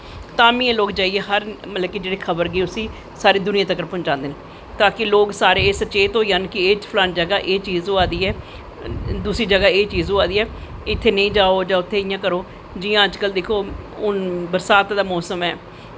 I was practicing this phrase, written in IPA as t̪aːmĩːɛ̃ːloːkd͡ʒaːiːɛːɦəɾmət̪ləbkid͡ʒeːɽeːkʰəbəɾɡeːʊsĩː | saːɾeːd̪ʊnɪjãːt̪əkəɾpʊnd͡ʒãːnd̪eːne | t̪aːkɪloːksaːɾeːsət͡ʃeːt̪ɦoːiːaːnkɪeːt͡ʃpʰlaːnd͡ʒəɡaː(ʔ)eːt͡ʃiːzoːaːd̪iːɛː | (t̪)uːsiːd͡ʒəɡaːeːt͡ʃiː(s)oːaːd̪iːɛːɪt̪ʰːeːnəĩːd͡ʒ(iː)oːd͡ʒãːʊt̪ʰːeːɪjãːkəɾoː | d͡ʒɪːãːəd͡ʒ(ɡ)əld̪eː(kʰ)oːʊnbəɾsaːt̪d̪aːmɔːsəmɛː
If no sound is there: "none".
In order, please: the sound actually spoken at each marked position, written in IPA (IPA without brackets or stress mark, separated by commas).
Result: ʔ, d̪, z, aː, k, kʰ